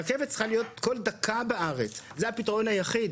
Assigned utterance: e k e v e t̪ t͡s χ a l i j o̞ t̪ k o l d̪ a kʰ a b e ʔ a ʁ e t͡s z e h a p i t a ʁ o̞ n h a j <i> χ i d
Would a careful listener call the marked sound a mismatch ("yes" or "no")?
yes